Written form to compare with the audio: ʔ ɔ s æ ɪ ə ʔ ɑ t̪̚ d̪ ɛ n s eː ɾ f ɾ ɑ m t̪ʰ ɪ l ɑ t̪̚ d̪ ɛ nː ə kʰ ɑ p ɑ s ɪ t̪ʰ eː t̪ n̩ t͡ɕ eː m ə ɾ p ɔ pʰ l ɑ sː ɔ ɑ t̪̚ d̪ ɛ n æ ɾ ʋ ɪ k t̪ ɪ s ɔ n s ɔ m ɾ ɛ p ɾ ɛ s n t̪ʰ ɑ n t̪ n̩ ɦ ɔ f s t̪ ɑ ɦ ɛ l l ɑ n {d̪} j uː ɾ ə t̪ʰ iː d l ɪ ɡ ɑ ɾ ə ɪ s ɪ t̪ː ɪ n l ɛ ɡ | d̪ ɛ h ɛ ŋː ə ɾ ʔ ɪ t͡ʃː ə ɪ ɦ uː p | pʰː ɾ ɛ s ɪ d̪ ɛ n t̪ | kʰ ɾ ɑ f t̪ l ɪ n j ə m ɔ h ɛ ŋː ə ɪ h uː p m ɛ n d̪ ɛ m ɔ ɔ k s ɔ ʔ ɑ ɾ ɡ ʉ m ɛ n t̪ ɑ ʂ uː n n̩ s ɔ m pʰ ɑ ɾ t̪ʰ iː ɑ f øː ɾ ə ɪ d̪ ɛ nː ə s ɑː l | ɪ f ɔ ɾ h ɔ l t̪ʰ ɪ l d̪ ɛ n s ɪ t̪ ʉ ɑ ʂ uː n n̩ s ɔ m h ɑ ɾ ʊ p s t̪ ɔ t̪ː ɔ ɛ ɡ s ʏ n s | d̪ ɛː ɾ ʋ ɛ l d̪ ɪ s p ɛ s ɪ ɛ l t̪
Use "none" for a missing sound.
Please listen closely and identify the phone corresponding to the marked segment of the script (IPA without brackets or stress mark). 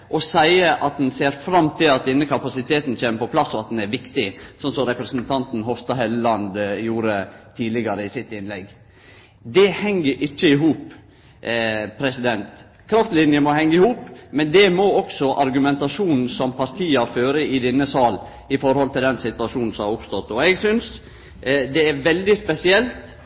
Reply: d̪